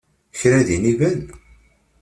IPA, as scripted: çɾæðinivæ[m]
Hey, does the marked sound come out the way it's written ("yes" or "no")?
no